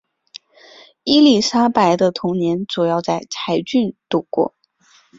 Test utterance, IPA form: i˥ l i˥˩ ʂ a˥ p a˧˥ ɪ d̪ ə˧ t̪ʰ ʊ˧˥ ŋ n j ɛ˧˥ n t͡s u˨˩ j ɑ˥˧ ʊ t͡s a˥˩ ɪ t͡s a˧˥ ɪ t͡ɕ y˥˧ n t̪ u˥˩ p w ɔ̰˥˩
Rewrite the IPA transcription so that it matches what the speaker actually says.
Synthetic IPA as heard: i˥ l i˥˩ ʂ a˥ p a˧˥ ɪ d̪ ə˧ t̪ʰ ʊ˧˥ ŋ n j ɛ˧˥ n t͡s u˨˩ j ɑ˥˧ ʊ t͡s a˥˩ ɪ t͡sʰ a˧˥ ɪ t͡ɕ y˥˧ n t̪ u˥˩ k w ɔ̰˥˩